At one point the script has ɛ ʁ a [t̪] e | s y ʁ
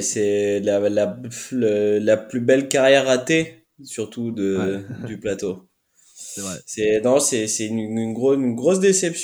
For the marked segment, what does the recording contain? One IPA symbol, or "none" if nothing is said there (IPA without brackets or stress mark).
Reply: t̪